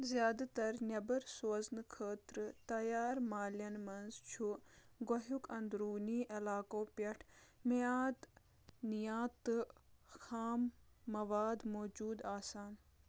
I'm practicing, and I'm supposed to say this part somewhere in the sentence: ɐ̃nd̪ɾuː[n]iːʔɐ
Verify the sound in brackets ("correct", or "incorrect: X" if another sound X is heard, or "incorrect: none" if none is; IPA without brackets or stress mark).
correct